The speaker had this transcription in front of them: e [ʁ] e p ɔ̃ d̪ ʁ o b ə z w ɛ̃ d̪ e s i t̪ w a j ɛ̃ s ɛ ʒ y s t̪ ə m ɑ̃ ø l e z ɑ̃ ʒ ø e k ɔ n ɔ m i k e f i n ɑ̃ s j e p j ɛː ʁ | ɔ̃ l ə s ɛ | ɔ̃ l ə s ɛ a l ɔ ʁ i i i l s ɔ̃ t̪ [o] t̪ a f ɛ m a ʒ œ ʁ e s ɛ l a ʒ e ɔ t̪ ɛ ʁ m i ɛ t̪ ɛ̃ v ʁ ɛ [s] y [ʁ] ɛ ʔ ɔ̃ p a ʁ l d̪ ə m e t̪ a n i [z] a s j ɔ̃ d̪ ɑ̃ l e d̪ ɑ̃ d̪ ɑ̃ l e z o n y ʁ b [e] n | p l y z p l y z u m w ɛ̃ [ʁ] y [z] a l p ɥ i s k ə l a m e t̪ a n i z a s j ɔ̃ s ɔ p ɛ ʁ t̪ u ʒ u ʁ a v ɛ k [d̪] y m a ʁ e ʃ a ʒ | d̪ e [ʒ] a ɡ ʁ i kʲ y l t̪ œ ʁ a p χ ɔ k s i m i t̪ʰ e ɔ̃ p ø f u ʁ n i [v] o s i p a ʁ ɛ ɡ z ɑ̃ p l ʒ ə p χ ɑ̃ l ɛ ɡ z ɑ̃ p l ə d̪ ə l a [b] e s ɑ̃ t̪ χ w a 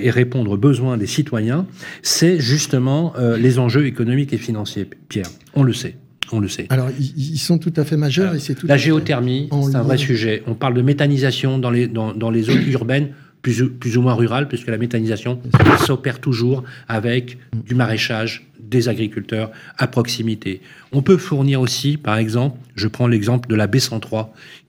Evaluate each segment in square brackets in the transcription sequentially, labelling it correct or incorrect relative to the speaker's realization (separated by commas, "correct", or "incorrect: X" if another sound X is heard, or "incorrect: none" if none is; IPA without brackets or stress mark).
correct, incorrect: u, correct, incorrect: ʒ, correct, incorrect: ɛ, correct, incorrect: ʁ, correct, incorrect: z, incorrect: ʁ, correct